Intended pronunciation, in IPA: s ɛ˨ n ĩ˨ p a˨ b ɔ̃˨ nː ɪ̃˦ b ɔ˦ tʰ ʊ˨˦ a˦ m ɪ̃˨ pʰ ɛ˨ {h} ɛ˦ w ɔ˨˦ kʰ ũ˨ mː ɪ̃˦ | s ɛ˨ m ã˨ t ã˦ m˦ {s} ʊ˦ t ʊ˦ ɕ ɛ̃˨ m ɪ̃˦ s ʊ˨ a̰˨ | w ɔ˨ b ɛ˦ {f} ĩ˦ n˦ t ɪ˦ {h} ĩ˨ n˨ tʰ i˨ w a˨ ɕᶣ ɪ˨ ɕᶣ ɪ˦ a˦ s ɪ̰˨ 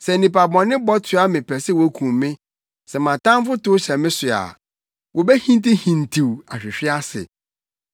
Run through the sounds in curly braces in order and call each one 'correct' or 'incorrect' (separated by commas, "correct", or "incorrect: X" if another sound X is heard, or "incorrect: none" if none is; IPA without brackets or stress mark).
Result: incorrect: s, incorrect: f, incorrect: h, correct